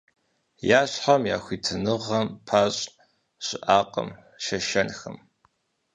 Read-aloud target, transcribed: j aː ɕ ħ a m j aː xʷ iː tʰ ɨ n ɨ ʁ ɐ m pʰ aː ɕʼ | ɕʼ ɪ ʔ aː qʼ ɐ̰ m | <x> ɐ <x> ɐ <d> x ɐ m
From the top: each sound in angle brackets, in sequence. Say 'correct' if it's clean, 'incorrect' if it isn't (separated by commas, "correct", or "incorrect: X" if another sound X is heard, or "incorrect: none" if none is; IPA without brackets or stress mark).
incorrect: ʃ, incorrect: ʃ, incorrect: n